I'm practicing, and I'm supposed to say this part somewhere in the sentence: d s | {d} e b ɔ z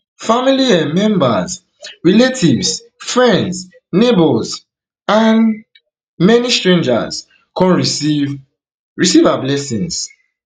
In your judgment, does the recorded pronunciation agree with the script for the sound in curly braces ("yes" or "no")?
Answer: no